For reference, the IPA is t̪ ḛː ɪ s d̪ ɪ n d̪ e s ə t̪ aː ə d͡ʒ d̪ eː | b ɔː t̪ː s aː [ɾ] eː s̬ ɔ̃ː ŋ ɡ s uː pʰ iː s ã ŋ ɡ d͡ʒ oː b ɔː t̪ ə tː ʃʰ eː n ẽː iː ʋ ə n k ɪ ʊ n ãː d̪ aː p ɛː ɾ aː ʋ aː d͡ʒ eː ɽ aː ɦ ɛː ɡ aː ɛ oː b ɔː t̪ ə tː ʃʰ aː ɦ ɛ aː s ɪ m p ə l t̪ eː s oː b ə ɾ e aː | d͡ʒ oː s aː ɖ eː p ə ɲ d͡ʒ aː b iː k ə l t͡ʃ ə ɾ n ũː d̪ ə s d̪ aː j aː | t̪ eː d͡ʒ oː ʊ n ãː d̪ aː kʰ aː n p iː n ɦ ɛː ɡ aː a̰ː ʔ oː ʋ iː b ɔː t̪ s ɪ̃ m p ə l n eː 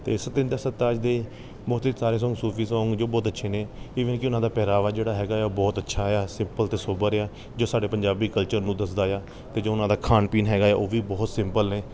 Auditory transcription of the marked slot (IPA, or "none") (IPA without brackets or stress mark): ɾ